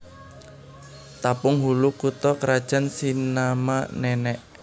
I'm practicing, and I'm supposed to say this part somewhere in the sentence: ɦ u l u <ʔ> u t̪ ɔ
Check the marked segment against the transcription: incorrect: k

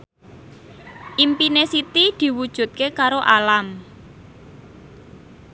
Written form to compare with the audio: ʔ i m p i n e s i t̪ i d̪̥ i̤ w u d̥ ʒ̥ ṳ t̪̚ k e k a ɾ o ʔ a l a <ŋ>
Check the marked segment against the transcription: incorrect: m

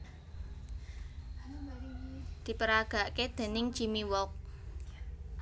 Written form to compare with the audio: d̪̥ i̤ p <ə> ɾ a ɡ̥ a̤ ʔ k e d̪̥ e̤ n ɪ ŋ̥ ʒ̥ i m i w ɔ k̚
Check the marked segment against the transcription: correct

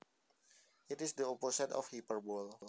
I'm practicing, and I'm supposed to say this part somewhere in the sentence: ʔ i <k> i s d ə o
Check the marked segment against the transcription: incorrect: t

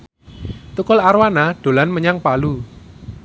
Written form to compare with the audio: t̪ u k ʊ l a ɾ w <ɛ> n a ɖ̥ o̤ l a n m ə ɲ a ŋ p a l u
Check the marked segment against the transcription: incorrect: a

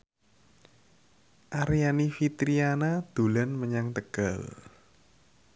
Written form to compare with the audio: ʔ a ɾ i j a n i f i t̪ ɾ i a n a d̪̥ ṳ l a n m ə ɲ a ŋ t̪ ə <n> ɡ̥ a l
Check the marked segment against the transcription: incorrect: none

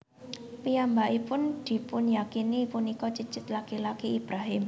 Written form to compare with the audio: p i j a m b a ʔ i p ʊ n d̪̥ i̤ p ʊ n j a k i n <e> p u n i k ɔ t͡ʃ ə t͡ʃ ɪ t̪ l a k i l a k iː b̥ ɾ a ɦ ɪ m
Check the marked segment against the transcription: incorrect: i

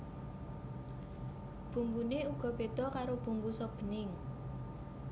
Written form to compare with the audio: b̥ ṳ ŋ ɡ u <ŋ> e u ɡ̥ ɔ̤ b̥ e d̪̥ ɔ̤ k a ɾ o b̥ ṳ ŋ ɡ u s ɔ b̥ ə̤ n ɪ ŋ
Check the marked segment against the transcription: incorrect: n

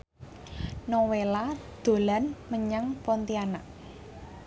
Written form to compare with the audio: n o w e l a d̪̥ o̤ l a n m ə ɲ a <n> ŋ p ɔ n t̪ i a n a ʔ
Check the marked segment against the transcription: incorrect: none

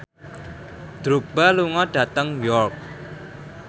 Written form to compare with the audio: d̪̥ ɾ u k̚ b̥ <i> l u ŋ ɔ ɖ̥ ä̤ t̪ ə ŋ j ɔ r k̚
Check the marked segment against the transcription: incorrect: a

